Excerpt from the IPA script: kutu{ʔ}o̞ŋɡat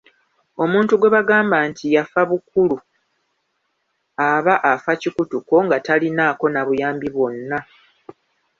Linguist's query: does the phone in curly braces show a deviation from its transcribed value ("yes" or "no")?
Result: yes